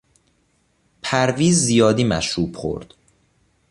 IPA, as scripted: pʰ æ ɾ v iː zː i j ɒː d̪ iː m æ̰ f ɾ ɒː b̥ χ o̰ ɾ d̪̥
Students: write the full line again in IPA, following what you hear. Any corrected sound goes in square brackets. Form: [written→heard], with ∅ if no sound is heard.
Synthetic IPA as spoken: pʰ æ ɾ v iː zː i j ɒː d̪ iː m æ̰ [f→ʃ] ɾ [ɒː→uː] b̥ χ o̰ ɾ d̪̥